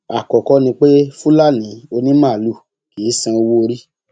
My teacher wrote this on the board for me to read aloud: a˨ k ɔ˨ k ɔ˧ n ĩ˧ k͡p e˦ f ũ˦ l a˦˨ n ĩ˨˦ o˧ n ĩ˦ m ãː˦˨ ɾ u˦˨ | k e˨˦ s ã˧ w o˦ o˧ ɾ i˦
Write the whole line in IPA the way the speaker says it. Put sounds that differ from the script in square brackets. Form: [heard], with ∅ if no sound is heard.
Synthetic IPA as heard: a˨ k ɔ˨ k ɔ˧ n ĩ˧ k͡p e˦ f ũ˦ l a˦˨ n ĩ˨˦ o˧ n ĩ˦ m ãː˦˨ [l] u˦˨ | k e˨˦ s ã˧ w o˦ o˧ ɾ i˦